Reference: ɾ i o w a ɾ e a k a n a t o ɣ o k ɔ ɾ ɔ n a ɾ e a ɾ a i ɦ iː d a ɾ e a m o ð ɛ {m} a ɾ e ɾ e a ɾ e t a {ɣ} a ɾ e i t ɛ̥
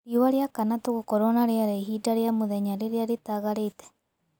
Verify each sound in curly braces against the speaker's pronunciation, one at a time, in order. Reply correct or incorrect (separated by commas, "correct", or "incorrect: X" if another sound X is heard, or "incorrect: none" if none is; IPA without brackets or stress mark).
incorrect: ɲ, correct